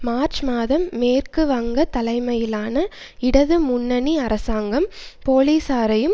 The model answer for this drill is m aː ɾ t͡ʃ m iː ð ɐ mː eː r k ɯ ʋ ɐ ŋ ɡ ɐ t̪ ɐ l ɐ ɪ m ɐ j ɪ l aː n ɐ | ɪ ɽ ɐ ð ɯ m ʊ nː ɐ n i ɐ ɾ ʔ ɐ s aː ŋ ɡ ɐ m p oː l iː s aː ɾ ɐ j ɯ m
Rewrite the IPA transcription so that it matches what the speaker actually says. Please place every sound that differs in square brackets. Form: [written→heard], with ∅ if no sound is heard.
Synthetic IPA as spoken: m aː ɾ t͡ʃ m [iː→aː] ð ɐ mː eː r k ɯ ʋ ɐ ŋ ɡ ɐ t̪ ɐ l ɐ ɪ m ɐ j ɪ l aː n ɐ | ɪ ɽ ɐ ð ɯ m ʊ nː ɐ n i ɐ ɾ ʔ ɐ s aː ŋ ɡ ɐ m p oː l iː s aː ɾ ɐ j ɯ m